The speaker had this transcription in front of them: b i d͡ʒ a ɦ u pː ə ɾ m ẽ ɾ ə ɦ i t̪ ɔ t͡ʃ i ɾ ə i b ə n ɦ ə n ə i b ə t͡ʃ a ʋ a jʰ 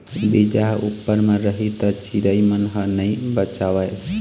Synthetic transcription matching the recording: b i d͡ʒ a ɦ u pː ə ɾ m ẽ ɾ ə ɦ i t̪ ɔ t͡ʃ i ɾ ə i m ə n ɦ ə n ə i b ə t͡ʃ a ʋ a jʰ